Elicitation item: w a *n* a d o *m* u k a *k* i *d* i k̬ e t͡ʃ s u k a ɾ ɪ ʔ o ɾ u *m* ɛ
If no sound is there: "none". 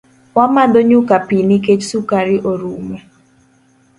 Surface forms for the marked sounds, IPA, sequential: m, ɲ, p, n, m

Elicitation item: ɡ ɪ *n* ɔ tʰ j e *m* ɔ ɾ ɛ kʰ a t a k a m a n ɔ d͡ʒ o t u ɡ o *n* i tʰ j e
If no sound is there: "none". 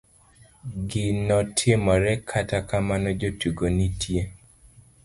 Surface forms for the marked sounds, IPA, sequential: n, m, n

